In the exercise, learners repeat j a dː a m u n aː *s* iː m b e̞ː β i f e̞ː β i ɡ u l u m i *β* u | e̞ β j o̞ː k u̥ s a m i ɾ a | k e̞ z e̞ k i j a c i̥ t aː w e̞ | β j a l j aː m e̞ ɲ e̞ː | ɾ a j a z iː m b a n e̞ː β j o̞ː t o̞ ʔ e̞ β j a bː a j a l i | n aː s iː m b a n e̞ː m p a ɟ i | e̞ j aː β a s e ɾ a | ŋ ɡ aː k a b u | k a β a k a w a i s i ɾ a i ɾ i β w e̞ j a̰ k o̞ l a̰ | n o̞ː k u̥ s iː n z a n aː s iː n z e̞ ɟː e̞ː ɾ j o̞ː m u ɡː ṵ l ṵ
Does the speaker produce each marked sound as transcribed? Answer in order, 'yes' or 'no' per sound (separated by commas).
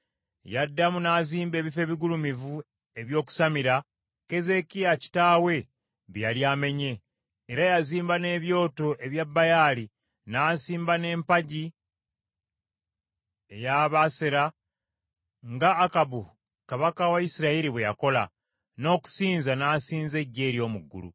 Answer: no, no